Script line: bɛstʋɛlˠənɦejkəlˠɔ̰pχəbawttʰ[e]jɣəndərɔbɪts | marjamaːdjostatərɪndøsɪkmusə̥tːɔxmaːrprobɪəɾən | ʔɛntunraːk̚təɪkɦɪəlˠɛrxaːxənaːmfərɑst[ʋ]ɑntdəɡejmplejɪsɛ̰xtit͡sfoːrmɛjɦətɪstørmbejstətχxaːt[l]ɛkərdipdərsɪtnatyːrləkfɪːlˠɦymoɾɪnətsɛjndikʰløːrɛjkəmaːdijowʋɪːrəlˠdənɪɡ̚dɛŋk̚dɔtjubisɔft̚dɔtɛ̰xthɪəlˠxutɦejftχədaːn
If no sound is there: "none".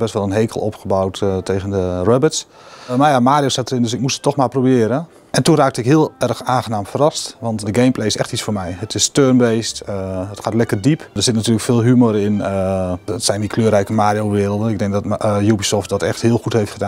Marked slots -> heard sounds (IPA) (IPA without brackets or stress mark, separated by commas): e, ʋ, l